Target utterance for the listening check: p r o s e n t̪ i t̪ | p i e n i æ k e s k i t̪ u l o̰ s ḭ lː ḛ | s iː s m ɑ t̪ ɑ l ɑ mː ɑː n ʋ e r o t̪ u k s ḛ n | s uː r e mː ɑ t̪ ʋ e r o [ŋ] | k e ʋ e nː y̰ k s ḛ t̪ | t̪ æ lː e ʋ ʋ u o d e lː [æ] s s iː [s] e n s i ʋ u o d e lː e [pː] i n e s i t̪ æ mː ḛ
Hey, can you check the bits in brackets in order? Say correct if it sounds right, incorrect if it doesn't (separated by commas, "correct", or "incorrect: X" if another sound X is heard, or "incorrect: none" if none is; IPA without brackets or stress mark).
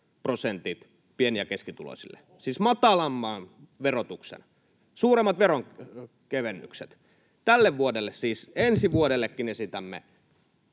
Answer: correct, incorrect: e, correct, incorrect: kː